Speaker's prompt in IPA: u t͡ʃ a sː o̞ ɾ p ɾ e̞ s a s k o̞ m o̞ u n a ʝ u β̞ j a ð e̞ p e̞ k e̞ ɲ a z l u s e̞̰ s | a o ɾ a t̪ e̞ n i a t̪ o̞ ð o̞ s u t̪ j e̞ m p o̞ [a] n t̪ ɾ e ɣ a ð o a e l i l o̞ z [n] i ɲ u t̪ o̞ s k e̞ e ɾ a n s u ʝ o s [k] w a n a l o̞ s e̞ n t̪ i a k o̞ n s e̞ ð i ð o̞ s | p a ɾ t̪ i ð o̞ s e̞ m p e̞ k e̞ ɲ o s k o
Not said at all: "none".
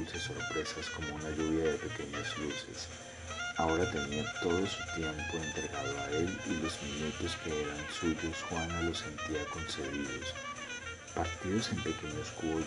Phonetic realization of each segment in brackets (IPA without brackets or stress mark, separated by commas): e, m, x